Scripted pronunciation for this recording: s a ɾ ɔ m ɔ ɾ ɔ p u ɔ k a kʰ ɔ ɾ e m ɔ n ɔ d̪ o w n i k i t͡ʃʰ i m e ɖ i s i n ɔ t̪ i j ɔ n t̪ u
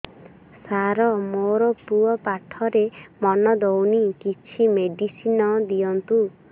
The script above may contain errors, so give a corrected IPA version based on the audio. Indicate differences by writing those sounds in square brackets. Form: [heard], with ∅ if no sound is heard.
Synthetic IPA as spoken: s a ɾ ɔ m [o] ɾ ɔ p u ɔ [p] a [ʈʰ] ɔ ɾ e m ɔ n ɔ d̪ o w n i k i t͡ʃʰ i m e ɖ i s i n ɔ [d̪] i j ɔ n t̪ u